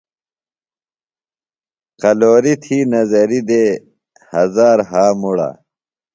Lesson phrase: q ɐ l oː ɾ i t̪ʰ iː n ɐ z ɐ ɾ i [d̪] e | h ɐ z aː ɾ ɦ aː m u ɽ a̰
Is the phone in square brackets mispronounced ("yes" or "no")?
no